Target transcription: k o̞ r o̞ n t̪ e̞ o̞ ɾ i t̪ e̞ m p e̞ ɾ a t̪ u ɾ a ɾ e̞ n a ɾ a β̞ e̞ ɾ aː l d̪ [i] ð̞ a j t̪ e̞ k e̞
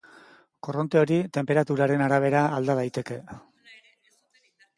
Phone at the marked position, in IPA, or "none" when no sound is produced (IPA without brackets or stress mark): a